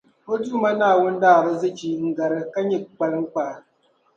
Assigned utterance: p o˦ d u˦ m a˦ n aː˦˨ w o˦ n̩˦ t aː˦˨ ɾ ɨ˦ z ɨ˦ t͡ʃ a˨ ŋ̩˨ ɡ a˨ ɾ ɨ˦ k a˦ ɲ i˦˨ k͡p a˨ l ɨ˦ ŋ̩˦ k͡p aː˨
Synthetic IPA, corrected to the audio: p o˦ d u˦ m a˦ n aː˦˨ w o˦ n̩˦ d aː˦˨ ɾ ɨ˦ z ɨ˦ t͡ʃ i˨ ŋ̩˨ ɡ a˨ ɾ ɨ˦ k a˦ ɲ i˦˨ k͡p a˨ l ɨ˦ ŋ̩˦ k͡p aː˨